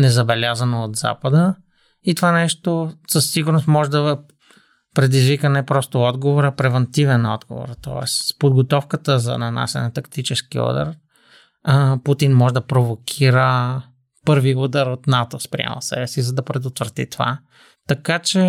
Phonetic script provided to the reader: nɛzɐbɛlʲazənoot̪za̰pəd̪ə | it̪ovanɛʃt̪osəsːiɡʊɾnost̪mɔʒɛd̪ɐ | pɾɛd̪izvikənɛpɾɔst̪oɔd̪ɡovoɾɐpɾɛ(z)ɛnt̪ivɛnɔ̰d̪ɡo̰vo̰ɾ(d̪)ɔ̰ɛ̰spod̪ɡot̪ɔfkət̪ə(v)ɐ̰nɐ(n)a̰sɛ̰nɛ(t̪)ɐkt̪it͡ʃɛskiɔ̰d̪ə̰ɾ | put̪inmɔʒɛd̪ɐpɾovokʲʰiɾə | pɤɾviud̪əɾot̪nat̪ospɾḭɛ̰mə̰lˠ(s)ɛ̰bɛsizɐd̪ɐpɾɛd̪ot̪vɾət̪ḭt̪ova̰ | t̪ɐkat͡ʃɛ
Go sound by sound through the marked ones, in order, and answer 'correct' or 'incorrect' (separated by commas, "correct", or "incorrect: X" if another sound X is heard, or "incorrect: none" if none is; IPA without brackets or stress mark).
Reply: incorrect: v, incorrect: t̪, incorrect: z, correct, correct, correct